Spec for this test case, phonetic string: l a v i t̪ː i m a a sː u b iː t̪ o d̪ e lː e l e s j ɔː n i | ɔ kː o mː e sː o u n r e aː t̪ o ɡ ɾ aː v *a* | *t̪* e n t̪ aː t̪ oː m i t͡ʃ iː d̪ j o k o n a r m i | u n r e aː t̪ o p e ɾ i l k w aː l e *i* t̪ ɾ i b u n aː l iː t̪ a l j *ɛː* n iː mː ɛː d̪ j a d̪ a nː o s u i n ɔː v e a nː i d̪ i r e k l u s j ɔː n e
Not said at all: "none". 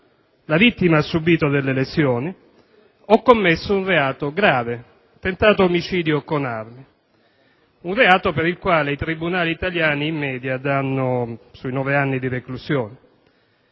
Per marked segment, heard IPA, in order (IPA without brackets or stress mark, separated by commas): e, t̪, i, aː